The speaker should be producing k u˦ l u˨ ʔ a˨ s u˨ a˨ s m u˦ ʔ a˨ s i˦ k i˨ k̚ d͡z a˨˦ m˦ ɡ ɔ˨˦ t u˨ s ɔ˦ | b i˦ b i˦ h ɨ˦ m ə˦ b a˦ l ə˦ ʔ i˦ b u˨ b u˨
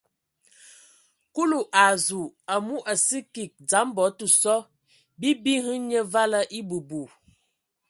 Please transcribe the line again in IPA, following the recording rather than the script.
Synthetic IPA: k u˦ l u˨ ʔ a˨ z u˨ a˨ m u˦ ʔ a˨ s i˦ k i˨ k̚ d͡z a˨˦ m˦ b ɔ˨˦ t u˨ s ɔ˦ | b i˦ b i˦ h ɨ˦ ɲ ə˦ v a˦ l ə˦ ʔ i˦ b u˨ b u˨